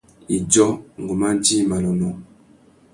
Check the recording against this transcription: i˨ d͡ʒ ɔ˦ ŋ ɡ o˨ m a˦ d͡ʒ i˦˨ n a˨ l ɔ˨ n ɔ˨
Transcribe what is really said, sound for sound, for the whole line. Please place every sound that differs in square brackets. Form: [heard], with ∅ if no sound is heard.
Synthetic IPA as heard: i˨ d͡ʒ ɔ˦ ŋ ɡ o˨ m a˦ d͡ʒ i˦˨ [m] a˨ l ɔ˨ n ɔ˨